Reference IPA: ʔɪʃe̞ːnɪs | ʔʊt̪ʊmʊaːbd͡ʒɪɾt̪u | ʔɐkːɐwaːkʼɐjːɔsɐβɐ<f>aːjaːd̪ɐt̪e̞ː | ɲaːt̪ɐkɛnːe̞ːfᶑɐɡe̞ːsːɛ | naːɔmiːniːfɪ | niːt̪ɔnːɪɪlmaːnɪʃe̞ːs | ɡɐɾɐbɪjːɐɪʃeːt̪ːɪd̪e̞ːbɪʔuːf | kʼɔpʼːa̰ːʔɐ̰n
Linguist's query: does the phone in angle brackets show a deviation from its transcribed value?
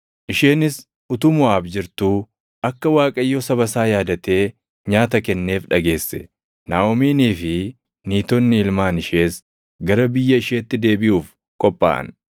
yes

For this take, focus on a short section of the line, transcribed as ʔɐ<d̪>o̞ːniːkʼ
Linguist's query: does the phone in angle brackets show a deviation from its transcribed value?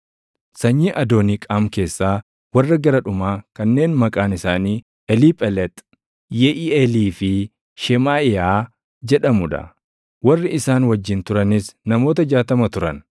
no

